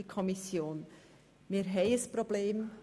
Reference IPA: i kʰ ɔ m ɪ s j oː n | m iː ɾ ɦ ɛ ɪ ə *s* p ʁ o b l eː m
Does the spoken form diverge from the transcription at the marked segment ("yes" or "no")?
no